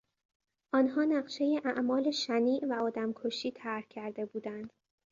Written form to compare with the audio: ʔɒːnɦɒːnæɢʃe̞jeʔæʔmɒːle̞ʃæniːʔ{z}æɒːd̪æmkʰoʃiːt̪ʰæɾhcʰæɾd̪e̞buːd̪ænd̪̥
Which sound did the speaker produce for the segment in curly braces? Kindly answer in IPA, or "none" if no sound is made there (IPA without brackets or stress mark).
v